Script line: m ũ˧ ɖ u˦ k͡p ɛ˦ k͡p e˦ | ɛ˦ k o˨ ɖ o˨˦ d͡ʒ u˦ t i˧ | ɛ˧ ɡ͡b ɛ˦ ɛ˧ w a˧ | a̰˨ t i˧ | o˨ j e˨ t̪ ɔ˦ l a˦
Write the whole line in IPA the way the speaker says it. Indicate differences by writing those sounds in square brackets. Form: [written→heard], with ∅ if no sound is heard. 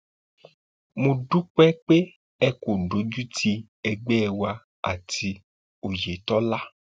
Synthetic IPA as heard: m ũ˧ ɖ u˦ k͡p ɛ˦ k͡p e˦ | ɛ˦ k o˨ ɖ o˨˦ d͡ʒ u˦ t i˧ | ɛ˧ ɡ͡b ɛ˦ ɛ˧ w a˧ | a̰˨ t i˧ | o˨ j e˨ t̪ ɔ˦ l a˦